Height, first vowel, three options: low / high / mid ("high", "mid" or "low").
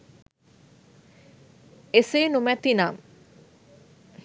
mid